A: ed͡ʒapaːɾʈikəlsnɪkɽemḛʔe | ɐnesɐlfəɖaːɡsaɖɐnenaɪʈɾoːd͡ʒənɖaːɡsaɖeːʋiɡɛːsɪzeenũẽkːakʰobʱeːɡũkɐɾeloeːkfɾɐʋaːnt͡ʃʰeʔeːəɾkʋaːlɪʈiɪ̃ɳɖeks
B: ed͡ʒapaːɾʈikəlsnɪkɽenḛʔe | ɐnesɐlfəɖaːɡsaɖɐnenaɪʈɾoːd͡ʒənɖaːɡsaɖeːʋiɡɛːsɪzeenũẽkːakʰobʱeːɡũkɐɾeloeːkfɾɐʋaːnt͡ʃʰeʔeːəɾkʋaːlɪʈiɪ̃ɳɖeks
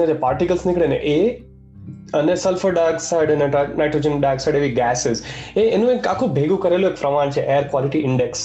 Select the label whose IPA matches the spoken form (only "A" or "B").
B